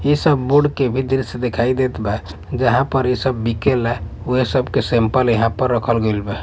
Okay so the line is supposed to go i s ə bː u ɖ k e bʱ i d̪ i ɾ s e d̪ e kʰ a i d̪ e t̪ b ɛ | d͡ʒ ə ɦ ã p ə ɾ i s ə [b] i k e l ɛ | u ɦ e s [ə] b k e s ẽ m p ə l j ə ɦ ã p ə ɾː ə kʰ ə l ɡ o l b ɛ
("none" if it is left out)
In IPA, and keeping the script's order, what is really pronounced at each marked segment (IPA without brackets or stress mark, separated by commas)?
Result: bː, ə